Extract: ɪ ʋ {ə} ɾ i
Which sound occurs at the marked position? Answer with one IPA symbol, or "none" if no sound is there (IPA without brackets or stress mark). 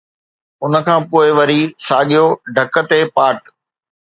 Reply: ɐ